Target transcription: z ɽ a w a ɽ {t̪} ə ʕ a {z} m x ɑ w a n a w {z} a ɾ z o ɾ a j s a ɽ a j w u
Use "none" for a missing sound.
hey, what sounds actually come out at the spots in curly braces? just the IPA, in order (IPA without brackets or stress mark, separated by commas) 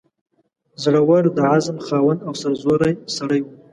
d̪, z, s